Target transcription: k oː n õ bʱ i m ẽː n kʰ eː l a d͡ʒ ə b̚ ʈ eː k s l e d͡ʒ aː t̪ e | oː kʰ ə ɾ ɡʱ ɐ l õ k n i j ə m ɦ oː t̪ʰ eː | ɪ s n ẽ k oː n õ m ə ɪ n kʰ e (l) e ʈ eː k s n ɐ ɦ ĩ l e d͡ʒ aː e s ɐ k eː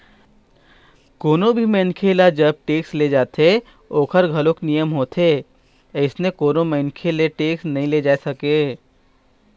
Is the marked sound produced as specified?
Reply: yes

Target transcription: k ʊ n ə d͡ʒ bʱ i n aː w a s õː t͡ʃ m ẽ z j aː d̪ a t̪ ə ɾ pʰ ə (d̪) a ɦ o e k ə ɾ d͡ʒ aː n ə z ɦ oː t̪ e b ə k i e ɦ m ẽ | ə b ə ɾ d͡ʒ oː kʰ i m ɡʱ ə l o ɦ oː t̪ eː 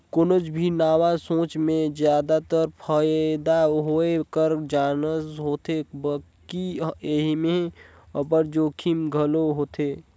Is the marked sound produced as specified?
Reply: yes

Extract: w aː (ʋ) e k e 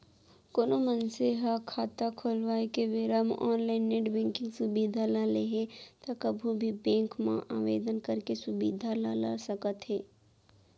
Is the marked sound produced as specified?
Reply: no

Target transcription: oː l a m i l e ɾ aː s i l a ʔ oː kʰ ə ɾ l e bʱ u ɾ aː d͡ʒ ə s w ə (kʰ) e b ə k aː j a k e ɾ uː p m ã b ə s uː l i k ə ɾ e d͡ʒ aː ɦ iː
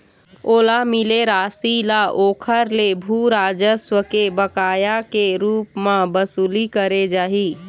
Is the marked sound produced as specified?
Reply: no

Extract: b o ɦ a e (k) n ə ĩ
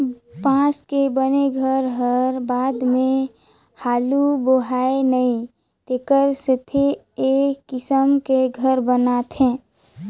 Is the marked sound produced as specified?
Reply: no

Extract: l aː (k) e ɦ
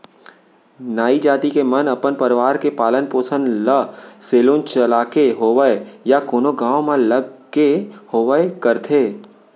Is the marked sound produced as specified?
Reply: yes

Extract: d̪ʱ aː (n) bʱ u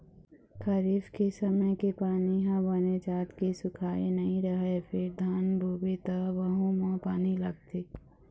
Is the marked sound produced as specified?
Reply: yes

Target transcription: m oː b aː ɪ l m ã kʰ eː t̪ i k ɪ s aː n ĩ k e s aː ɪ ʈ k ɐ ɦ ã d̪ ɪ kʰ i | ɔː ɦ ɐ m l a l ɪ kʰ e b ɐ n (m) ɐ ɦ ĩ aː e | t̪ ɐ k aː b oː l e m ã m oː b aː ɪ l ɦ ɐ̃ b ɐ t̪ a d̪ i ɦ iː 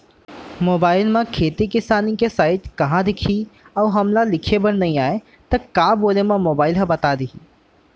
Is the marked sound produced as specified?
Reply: no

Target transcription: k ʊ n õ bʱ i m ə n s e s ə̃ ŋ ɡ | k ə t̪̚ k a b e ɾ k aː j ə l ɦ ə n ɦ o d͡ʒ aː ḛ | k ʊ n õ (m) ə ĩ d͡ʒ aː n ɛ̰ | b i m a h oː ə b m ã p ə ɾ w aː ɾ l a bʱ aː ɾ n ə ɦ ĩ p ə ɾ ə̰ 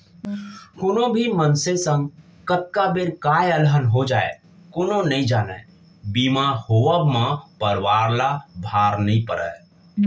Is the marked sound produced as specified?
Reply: no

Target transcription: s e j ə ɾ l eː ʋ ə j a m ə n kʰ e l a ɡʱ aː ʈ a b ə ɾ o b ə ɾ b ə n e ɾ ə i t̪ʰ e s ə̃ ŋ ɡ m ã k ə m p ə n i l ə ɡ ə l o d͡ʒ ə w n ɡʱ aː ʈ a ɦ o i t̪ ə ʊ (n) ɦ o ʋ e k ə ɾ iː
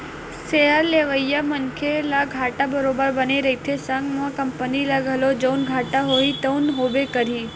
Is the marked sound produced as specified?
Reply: yes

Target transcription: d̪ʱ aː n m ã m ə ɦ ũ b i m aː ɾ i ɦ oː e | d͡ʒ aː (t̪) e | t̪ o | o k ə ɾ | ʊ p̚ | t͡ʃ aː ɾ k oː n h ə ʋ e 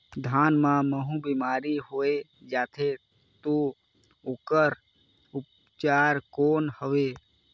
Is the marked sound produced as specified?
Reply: no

